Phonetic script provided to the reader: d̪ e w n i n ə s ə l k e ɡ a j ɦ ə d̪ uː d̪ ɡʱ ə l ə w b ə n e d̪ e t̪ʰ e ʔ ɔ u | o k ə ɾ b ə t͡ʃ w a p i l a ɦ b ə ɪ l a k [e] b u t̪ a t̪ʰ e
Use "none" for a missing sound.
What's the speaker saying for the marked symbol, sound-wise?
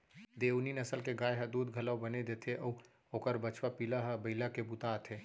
e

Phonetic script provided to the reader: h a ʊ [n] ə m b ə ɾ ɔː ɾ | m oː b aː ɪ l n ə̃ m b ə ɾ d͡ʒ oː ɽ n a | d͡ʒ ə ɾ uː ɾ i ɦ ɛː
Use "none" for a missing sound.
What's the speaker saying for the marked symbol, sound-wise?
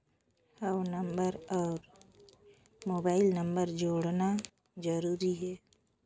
n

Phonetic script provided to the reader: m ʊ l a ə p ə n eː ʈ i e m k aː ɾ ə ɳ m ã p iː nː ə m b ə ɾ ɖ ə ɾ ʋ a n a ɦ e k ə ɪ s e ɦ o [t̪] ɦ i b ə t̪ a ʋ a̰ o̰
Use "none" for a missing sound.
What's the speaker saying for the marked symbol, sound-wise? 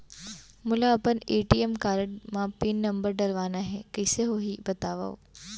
none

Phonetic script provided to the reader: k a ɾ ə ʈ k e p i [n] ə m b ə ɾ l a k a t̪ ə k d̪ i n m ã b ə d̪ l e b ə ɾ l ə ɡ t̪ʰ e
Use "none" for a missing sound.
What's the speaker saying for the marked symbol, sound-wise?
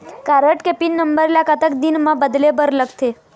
nː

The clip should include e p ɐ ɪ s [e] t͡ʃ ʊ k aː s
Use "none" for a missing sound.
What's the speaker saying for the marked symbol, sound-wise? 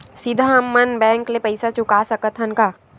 a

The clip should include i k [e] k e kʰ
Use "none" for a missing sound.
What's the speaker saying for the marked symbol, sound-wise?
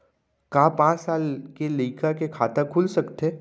a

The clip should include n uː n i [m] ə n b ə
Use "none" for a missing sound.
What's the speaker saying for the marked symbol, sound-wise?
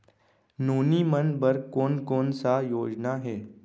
m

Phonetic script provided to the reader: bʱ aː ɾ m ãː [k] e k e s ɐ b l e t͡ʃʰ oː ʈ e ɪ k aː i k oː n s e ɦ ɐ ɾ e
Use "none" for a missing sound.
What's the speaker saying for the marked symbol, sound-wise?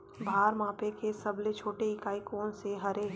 p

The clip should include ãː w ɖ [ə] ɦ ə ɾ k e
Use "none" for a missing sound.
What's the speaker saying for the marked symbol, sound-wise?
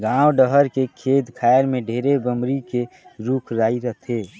ə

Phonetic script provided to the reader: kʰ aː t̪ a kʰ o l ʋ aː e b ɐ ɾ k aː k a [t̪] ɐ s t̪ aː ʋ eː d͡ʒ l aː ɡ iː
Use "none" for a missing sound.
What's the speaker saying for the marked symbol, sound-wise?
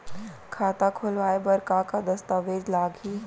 d̪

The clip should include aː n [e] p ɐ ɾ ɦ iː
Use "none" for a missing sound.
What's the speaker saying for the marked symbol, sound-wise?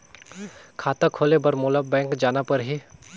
a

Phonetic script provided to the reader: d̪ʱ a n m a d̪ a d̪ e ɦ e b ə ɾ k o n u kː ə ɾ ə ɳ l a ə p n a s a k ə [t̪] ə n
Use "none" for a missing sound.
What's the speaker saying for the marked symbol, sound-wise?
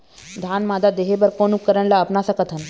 t̪ʰ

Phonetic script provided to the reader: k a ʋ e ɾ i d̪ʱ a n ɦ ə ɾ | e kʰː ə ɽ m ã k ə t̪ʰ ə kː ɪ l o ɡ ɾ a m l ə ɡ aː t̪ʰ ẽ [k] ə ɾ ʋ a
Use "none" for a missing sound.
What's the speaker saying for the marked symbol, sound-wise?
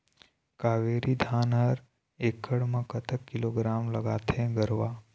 ɡ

